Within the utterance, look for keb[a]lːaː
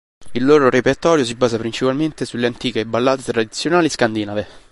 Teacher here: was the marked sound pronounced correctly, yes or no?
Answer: yes